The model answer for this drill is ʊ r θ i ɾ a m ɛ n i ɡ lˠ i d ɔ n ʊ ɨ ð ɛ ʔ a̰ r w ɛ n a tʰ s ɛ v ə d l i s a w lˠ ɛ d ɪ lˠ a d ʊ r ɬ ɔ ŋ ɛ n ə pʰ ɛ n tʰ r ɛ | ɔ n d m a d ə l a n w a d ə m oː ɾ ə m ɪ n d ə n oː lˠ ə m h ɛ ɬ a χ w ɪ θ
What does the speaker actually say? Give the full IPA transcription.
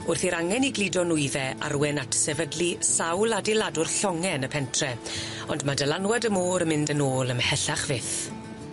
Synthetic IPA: ʊ r θ i ɾ a ŋ ɛ n i ɡ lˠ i d ɔ n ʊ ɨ ð ɛ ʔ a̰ r w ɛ n a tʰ s ɛ v ə d l i s a w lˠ a d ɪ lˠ a d ʊ r ɬ ɔ ŋ ɛ n ə pʰ ɛ n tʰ r ɛ | ɔ n d m a d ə l a n w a d ə m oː ɾ ə m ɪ n d ə n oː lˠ ə m h ɛ ɬ a χ v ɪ θ